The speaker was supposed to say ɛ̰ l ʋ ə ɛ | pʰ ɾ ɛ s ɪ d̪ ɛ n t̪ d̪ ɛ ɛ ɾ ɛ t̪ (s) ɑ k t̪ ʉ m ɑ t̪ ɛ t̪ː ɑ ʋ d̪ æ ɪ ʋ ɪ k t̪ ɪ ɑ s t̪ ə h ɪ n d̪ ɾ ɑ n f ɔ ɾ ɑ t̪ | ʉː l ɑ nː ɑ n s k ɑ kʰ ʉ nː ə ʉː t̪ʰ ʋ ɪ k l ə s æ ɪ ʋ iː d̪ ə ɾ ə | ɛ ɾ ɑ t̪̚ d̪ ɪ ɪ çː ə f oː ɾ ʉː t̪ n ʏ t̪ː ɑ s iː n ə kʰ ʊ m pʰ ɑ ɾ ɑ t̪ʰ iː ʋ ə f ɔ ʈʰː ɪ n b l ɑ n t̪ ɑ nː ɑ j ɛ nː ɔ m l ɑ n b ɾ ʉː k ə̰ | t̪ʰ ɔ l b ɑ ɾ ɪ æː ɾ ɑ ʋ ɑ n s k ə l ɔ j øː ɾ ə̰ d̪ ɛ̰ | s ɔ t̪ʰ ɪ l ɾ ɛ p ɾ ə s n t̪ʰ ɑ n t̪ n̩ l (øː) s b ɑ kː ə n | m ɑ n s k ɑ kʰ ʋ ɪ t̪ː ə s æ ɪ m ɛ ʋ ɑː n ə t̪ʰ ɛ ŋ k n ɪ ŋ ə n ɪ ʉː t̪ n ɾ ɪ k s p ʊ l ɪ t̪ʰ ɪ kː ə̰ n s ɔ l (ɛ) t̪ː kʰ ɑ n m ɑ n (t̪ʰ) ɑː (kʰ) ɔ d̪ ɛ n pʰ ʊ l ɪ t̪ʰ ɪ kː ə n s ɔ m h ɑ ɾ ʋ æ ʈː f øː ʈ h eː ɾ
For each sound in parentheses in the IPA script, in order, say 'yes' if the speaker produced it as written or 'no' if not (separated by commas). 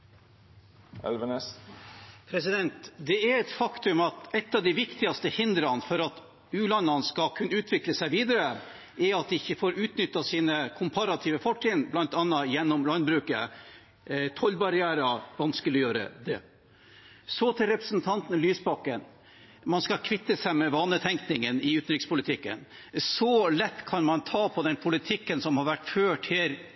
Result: no, no, yes, yes, no